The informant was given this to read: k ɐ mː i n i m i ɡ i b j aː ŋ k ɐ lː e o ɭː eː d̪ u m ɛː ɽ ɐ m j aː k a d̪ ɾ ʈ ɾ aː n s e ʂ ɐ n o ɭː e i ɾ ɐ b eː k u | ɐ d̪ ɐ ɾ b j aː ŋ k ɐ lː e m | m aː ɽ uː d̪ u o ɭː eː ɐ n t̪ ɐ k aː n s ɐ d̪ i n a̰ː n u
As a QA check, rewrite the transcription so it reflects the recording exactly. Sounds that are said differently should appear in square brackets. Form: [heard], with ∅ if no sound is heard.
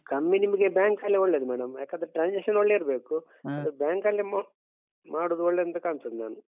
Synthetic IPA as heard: k ɐ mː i n i m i ɡ [e] b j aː ŋ k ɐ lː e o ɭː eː d̪ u m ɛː ɽ ɐ m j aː k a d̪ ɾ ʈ ɾ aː n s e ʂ ɐ n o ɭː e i ɾ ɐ b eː k u | ɐ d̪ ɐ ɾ b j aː ŋ k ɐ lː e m | m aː ɽ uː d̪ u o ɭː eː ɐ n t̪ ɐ k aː n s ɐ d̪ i n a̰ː n u

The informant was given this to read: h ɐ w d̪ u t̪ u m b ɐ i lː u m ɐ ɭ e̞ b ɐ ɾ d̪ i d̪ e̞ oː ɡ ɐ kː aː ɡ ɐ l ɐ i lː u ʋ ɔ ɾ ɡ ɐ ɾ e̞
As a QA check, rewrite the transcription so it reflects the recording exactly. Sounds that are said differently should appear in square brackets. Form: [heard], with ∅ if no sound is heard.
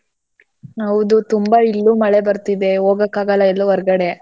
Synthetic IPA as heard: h ɐ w d̪ u t̪ u m b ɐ i lː u m ɐ ɭ e̞ b ɐ ɾ [t̪] i d̪ e̞ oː ɡ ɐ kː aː ɡ ɐ l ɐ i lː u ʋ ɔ ɾ ɡ ɐ [ɽ] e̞

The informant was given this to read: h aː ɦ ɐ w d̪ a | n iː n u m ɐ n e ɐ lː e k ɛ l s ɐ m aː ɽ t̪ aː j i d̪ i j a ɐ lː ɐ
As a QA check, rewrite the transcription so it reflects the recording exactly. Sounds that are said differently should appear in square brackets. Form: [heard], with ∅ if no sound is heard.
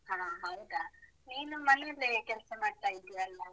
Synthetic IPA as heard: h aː ɦ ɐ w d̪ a | n iː n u m ɐ n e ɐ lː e k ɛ l s ɐ m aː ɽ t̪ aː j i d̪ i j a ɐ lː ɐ

